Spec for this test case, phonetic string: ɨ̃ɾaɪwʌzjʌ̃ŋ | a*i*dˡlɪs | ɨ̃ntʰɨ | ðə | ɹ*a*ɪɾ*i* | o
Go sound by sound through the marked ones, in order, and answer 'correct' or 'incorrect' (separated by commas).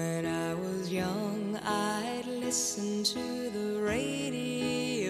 incorrect, incorrect, correct